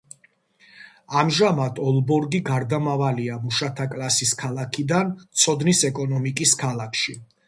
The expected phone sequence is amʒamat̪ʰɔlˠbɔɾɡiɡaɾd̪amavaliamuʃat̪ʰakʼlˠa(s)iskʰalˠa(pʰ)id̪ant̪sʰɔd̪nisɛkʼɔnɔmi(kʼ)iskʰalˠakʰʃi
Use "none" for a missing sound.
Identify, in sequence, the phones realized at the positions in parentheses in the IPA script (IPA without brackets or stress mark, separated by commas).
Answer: s, kʰ, kʼ